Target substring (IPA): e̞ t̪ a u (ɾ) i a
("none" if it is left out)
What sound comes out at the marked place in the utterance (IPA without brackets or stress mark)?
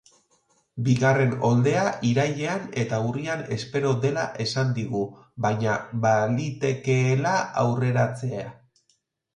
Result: r